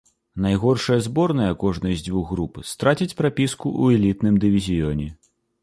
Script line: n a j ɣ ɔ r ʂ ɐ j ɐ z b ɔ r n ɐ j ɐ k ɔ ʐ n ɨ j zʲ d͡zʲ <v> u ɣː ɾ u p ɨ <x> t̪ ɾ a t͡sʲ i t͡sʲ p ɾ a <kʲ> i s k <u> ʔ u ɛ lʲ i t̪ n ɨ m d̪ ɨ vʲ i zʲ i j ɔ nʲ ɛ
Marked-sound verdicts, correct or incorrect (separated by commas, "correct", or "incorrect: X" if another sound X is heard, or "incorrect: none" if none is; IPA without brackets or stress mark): correct, incorrect: s, incorrect: pʲ, correct